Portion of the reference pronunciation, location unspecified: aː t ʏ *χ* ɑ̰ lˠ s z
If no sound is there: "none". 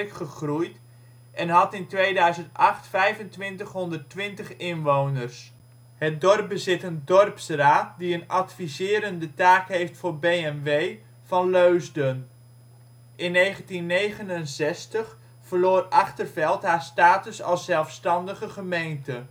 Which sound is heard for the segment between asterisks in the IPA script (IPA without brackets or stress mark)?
s